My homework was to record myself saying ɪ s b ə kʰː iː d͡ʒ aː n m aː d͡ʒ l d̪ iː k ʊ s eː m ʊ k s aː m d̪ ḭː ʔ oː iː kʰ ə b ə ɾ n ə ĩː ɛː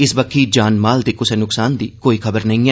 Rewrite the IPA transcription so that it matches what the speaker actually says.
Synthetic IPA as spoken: ɪ s b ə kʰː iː d͡ʒ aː n m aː l d̪ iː k ʊ s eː n ʊ k s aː n d̪ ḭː k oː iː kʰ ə b ə ɾ n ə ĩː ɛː